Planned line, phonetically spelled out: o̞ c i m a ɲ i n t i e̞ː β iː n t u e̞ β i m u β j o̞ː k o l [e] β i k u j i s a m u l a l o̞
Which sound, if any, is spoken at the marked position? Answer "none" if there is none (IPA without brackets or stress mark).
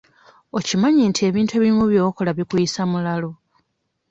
a